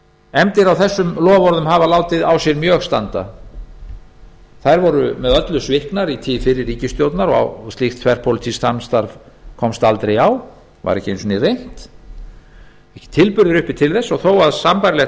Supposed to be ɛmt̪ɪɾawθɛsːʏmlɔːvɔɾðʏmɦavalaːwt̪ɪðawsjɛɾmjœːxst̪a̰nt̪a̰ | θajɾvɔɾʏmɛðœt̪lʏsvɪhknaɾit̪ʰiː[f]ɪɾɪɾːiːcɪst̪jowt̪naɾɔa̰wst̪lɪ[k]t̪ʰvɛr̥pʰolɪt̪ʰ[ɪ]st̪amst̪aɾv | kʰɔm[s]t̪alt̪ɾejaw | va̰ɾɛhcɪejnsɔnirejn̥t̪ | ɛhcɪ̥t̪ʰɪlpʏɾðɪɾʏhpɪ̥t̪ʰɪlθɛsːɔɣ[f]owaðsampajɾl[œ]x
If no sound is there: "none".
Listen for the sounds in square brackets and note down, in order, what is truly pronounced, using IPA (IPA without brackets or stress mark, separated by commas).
f, x, i, s, θ, ɛ